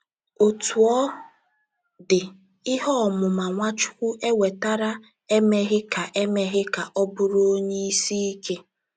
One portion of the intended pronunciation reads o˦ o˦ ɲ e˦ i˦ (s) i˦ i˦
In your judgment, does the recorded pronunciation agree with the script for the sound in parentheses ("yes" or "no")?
yes